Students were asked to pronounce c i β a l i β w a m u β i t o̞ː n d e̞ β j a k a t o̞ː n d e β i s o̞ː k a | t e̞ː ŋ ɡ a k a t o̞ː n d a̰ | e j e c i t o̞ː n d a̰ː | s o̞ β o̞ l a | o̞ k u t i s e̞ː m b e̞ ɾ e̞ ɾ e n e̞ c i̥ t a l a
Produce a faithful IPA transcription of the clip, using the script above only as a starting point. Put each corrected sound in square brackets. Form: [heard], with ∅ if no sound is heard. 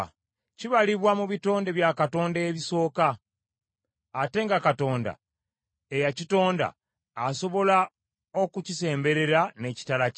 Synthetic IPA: c i β a l i β w a m u β i t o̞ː n d e̞ β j a k a t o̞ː n d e β i s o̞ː k a | t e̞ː ŋ ɡ a k a t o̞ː n d a̰ | e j [a] c i t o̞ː n d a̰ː | s o̞ β o̞ l a | o̞ k u [c] i s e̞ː m b e̞ ɾ e̞ ɾ [a] n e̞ c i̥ t a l a

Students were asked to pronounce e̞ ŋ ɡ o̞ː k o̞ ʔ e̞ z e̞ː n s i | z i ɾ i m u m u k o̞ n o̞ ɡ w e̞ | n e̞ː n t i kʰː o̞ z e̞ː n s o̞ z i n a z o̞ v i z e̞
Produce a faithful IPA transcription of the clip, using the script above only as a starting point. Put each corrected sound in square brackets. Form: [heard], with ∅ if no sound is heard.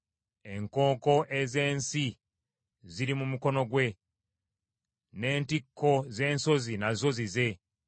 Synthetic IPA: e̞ ŋ [k] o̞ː k o̞ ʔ e̞ z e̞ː n s i | z i ɾ i m u m u k o̞ n o̞ ɡ w e̞ | n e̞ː n t i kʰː o̞ z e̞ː n s o̞ z i n a z o̞ [z] i z e̞

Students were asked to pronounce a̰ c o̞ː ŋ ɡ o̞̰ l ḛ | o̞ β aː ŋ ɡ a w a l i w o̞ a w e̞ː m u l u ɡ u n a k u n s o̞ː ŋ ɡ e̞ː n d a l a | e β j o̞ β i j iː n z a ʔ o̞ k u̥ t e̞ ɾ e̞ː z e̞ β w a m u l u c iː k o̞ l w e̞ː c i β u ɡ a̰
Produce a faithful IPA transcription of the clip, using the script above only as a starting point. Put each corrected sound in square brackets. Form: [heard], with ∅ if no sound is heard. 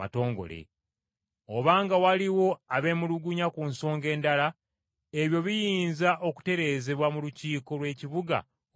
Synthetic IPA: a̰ [t] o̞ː ŋ ɡ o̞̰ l ḛ | o̞ β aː ŋ ɡ a w a l i w o̞ a [β] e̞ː m u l u ɡ u [ɲ] a k u n s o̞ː ŋ ɡ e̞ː n d a l a | e β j o̞ β i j iː n z a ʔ o̞ k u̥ t e̞ ɾ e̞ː z e̞ β w a m u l u c iː k o̞ l w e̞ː c i β u ɡ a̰

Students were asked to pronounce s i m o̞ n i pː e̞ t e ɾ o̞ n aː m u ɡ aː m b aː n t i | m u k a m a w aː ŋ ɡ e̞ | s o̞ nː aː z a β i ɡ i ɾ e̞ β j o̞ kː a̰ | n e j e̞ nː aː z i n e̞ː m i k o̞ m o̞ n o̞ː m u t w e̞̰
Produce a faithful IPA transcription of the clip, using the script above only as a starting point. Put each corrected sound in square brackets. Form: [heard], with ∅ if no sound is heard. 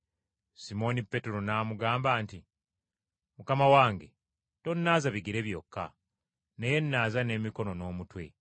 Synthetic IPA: s i m o̞ n i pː e̞ t e ɾ o̞ n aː m u ɡ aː m b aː n t i | m u k a m a w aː ŋ ɡ e̞ | [t] o̞ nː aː z a β i ɡ i ɾ e̞ β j o̞ kː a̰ | n e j e̞ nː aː z [a] n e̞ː m i k o̞ [n] o̞ n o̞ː m u t w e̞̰

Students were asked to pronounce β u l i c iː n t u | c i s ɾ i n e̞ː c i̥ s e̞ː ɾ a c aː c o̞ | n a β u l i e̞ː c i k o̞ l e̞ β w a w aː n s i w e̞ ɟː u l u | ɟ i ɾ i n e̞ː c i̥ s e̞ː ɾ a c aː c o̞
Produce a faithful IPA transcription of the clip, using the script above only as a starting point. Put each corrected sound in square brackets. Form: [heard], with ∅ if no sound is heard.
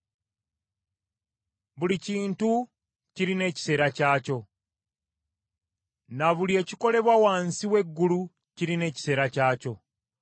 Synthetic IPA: β u l i c iː n t u | c i [∅] ɾ i n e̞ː c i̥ s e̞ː ɾ a c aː c o̞ | n a β u l i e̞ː c i k o̞ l e̞ β w a w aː n s i w e̞ [ɡː] u l u | [c] i ɾ i n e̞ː c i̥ s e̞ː ɾ a c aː c o̞

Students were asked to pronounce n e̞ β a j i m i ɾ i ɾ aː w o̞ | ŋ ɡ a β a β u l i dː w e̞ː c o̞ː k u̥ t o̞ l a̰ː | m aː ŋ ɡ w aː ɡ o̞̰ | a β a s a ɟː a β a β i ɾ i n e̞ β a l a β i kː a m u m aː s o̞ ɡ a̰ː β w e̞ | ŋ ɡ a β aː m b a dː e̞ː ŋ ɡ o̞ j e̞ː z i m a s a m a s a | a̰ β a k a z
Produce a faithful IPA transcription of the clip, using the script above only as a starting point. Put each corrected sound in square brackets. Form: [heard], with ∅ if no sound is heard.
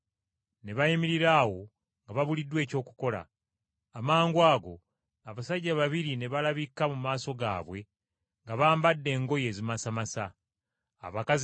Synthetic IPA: n e̞ β a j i m i ɾ i ɾ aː w o̞ | ŋ ɡ a β a β u l i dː w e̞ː c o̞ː k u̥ [k] o̞ l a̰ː | m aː ŋ ɡ w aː ɡ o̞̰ | a β a s a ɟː a β a β i ɾ i n e̞ β a l a β i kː a m u m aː s o̞ ɡ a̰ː β w e̞ | ŋ ɡ a β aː m b a dː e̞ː ŋ ɡ o̞ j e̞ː z i m a s a m a s a | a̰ β a k a z

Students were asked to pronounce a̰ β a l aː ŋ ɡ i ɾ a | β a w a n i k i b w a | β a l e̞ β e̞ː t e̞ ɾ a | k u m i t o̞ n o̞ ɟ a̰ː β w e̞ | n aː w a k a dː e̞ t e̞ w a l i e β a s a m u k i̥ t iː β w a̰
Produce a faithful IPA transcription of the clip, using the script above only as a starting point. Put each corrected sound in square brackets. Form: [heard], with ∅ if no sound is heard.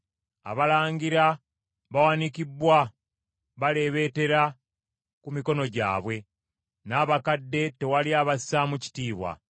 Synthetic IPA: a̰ β a l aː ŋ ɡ i ɾ a | β a w a n i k i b w a | β a l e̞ β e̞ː t e̞ ɾ a | k u m i [k] o̞ n o̞ ɟ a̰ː β w e̞ | n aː [β] a k a dː e̞ t e̞ w a l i [a] β a s a m u [c] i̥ t iː β w a̰

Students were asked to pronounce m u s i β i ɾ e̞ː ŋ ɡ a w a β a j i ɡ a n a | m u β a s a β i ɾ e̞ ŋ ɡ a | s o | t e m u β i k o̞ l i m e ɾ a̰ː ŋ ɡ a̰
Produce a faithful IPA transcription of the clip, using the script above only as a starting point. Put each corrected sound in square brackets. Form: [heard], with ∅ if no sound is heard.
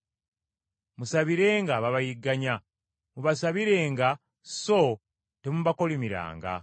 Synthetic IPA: m u s [a] β i ɾ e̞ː ŋ ɡ a [β] a β a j i ɡ a [ɲ] a | m u β a s a β i ɾ e̞ ŋ ɡ a | s o | t e m u β [a] k o̞ l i m [i] ɾ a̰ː ŋ ɡ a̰

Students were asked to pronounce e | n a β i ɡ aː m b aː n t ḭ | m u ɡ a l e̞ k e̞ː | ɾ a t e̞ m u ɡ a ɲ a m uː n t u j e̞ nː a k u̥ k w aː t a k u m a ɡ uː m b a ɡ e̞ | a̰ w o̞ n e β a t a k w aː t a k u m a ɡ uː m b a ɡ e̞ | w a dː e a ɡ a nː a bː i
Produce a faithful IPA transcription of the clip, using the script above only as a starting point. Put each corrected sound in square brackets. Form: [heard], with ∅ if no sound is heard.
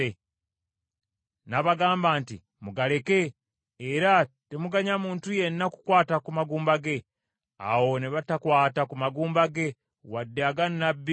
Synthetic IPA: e | n a β [a] ɡ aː m b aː n t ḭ | m u ɡ a l e̞ k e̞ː | ɾ a t e̞ m u ɡ a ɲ a m uː n t u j e̞ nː a k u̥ k w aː t a k u m a ɡ uː m b a ɡ e̞ | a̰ w o̞ n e β a t a k w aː t a k u m a ɡ uː m b a ɡ e̞ | w a dː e a ɡ a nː a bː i

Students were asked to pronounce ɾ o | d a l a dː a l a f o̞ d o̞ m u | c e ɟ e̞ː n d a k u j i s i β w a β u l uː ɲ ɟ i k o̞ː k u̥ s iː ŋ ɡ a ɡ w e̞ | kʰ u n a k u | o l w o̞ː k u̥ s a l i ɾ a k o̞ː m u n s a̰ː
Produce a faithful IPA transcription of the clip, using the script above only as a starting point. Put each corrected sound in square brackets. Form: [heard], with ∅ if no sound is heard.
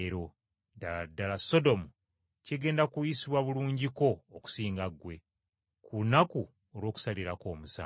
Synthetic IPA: ɾ o | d a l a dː a l a [s] o̞ d o̞ m u | c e [ɡ] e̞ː n d a k u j i s i β w a β u l uː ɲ ɟ i k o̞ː k u̥ s iː ŋ ɡ a ɡ w e̞ | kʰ u n a k u | o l w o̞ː k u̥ s a l i ɾ a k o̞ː m u [∅] s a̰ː

